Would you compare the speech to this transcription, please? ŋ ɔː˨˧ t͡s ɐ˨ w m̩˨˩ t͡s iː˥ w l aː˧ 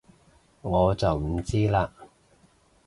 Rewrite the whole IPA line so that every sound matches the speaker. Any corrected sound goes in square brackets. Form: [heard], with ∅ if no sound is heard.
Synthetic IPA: ŋ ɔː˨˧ t͡s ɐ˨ w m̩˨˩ t͡s iː˥ [∅] l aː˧